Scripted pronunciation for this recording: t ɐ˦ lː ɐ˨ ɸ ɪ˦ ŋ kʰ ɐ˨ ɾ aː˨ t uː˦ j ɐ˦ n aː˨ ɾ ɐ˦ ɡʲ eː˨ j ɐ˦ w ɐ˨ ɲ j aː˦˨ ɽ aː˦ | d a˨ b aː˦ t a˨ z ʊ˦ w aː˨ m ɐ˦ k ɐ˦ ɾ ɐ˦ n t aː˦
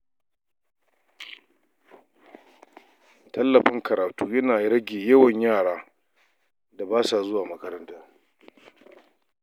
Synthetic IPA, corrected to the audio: t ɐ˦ lː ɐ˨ ɸ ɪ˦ ŋ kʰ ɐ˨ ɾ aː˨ t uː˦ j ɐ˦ n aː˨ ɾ ɐ˦ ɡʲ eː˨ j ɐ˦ w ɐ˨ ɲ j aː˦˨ ɽ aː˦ | d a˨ b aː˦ s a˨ z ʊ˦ w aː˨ m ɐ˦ k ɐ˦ ɾ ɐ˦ n t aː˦